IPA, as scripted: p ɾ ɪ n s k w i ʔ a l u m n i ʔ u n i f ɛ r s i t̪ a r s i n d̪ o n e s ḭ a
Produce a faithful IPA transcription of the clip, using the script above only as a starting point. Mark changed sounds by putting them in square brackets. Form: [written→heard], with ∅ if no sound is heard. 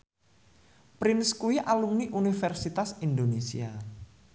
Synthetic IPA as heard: p ɾ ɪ n s k [w→u] i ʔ a l u m n i ʔ u n i f ɛ r s i t̪ a [r→∅] s i n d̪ o n e s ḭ a